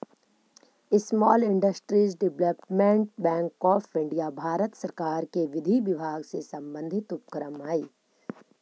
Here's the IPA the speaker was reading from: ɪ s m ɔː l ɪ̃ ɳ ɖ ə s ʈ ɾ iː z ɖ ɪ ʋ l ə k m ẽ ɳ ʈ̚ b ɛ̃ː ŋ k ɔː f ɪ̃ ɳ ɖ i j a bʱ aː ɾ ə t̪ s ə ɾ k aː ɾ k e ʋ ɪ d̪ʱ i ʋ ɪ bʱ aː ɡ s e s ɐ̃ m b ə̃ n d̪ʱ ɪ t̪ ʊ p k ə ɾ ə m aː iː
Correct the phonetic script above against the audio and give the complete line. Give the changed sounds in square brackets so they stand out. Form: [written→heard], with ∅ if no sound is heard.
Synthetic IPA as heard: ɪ s m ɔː l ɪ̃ ɳ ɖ ə s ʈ ɾ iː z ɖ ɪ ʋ l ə [k→p] m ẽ ɳ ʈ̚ b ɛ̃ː ŋ k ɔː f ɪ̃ ɳ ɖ i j a bʱ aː ɾ ə t̪ s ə ɾ k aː ɾ k e ʋ ɪ d̪ʱ i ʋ ɪ bʱ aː ɡ s e s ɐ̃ m b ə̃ n d̪ʱ ɪ t̪ ʊ p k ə ɾ ə m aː iː